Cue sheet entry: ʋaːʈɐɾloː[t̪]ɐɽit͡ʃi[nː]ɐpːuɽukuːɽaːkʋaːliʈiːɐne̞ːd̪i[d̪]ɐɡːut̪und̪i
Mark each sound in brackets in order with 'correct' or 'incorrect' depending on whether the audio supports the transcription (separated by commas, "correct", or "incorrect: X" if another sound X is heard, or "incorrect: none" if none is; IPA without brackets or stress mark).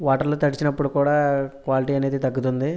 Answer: correct, incorrect: n, incorrect: t̪